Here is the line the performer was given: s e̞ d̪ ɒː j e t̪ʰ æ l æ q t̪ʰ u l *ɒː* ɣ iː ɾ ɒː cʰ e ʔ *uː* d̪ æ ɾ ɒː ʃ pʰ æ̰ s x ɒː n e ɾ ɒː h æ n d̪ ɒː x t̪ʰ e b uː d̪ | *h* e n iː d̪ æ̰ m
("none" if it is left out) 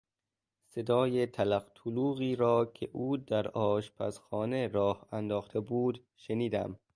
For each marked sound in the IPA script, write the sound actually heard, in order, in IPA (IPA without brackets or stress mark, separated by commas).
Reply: uː, uː, ʃ